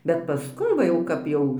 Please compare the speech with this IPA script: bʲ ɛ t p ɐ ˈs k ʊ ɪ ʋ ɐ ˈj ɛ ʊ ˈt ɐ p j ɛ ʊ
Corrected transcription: bʲ ɛ t p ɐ ˈs k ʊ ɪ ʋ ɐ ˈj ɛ ʊ ˈk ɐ p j ɛ ʊ